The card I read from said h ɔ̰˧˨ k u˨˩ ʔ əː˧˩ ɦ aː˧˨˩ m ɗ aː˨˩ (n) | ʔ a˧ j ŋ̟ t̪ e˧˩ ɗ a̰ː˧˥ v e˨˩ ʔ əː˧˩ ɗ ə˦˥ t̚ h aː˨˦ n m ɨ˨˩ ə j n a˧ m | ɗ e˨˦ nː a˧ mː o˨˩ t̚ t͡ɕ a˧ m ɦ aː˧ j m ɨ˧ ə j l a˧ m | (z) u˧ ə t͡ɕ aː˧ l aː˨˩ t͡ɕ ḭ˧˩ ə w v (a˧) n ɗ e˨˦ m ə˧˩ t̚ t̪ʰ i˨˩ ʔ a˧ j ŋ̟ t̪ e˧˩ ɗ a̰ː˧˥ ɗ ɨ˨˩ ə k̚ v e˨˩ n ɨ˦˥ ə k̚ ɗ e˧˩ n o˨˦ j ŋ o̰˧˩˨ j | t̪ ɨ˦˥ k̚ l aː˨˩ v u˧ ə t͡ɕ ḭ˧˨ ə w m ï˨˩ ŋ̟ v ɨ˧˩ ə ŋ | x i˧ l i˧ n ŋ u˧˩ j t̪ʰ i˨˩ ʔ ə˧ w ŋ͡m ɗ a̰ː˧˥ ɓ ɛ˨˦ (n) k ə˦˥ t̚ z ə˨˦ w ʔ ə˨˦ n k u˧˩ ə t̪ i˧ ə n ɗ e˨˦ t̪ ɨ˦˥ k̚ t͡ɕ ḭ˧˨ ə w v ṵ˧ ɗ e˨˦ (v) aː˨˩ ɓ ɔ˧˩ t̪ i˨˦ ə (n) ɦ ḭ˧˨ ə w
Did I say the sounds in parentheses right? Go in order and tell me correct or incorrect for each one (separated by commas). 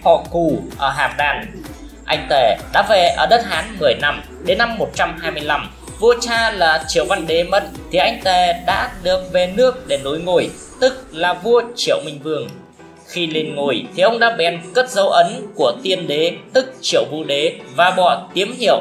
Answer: correct, incorrect, correct, correct, correct, incorrect